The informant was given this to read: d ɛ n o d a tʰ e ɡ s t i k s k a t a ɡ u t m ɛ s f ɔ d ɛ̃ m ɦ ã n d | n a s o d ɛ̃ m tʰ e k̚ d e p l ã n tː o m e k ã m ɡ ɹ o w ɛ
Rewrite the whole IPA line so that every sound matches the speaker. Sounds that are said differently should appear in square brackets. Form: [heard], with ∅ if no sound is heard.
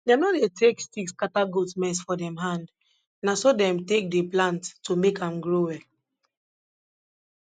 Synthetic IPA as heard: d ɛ n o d [e] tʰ e [k] s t i k s k a t a ɡ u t m ɛ s f ɔ d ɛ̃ m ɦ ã n d | n a s o d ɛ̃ m [t] e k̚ d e p l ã n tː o m e k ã m ɡ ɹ o w ɛ